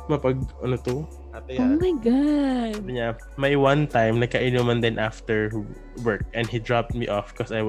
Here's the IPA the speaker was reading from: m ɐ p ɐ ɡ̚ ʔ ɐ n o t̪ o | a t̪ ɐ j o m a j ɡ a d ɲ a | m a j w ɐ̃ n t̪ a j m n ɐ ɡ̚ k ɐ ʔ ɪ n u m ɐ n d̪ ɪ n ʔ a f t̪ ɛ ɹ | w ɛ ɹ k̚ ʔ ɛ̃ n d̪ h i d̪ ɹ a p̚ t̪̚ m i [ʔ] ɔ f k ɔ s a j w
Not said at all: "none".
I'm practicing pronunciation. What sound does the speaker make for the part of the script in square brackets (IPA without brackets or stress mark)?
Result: ʔ